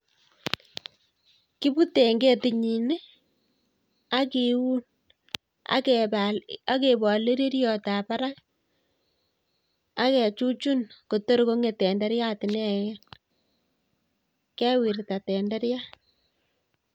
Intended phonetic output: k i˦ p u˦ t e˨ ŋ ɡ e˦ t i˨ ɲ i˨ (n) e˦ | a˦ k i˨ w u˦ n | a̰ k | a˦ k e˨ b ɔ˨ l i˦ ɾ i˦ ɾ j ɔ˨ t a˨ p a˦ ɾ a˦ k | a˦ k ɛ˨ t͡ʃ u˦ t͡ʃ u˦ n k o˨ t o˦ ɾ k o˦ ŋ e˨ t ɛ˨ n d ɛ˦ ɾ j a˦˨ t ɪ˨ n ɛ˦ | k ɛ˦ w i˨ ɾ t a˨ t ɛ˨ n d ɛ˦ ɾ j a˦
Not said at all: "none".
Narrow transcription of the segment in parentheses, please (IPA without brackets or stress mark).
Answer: n